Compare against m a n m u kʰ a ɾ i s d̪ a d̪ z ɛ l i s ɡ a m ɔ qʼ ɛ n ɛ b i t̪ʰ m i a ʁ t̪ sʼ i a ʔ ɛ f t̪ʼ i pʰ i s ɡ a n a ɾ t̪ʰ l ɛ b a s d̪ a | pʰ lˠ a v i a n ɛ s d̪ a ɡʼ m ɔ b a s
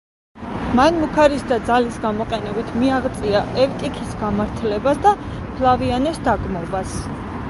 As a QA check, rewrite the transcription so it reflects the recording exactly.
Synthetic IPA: m a n m u kʰ a ɾ i s d̪ a d̪ z a l i s ɡ a m ɔ qʼ ɛ n ɛ b i t̪ʰ m i a ʁ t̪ sʼ i a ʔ ɛ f t̪ʼ i kʰ i s ɡ a m a ɾ t̪ʰ l ɛ b a s d̪ a | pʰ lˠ a v i a n ɛ s d̪ a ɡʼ m ɔ b a s